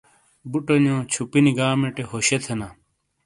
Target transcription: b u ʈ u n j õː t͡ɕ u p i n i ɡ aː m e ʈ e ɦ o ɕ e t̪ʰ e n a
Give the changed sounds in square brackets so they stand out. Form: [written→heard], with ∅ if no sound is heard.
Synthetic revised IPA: b u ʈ [u→o] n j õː [t͡ɕ→t͡ɕʰ] u p i n i ɡ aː m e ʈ e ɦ o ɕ e t̪ʰ e n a